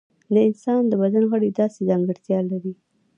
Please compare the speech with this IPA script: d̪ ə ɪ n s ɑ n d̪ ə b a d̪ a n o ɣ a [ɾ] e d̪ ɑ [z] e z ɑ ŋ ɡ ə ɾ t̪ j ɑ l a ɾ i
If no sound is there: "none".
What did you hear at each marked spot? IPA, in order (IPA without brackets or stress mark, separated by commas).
ɽ, s